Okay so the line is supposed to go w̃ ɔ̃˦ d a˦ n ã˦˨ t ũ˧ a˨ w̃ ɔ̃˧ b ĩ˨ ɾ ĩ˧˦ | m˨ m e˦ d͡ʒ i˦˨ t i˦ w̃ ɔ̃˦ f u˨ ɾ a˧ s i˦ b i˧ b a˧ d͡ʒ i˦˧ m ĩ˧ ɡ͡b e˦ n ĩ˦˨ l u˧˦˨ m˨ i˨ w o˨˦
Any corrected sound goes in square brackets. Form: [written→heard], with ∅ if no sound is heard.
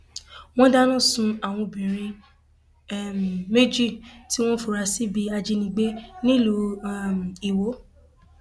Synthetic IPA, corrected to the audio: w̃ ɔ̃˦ d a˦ n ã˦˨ [t→s] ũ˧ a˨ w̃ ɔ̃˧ b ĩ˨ ɾ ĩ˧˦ | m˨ m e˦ d͡ʒ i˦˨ t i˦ w̃ ɔ̃˦ f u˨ ɾ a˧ s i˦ b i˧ [b→∅] a˧ d͡ʒ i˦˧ [m→n] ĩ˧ ɡ͡b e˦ n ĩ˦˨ l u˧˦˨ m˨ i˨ w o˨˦